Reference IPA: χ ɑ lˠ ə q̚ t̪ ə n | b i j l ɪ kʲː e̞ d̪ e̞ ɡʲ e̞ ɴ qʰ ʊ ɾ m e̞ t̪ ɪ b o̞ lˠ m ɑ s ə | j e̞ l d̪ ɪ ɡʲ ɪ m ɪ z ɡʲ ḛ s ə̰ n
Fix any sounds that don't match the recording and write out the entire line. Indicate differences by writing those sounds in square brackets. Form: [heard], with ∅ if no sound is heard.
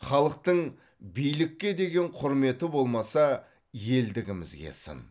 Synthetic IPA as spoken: χ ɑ lˠ ə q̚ t̪ ə [ɴ] | b i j l ɪ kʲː e̞ d̪ e̞ ɡʲ e̞ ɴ qʰ ʊ ɾ m e̞ t̪ ɪ b o̞ lˠ m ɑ s [ɑ] | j e̞ l d̪ ɪ ɡʲ ɪ m ɪ z ɡʲ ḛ s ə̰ n